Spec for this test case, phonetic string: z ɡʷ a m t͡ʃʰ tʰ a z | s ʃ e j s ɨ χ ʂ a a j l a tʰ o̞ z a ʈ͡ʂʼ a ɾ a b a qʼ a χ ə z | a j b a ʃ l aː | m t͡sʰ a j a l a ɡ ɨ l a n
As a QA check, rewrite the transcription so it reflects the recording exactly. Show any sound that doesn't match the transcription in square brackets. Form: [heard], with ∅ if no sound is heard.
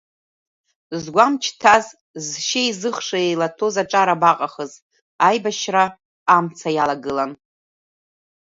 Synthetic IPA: z ɡʷ a m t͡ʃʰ tʰ a z | [z] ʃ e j [z] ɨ χ ʂ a [e] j l a tʰ o̞ z a ʈ͡ʂʼ a ɾ a b a qʼ a χ ə z | a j b a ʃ [r] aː | m t͡sʰ a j a l a ɡ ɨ l a n